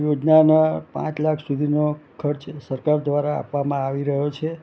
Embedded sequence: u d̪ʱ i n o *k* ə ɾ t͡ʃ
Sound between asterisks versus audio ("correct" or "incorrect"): incorrect